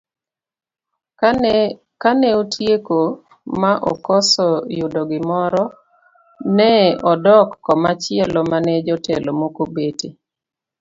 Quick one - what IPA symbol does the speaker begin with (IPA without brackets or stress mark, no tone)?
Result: k